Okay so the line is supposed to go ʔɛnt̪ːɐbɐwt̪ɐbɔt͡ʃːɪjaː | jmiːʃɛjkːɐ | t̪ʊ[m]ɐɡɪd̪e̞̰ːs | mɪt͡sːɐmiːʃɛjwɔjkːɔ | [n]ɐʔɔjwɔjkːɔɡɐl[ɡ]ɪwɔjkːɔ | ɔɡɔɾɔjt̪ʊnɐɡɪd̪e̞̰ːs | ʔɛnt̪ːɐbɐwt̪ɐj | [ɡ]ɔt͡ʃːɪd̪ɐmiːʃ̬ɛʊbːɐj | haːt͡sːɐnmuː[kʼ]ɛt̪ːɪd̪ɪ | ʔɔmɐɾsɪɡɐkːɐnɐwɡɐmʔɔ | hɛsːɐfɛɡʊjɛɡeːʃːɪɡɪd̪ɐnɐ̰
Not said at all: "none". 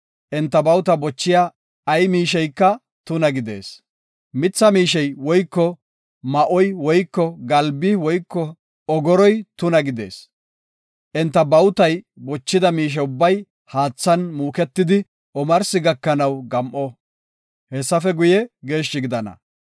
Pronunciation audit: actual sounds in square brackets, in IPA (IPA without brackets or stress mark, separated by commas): n, m, b, b, k